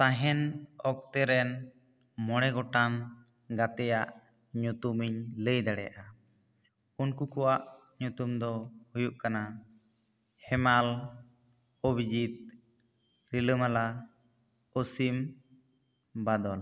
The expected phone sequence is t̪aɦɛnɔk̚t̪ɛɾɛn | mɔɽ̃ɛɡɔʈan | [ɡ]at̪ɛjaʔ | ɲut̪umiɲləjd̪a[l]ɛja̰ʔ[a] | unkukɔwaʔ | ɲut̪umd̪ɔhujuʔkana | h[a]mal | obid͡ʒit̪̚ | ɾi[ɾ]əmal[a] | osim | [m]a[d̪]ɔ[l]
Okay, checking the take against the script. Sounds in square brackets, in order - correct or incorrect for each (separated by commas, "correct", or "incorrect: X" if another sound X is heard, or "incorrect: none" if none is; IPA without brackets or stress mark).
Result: correct, incorrect: ɽ, correct, incorrect: ɛ, incorrect: l, correct, incorrect: b, correct, correct